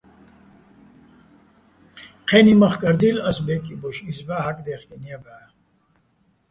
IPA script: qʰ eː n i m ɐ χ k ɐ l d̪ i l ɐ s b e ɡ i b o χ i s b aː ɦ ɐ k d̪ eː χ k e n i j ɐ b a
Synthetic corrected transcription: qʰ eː n i m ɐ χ k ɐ ɾ d̪ i l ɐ s b e k i b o ɕ i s b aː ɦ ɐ k d̪ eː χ k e n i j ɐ b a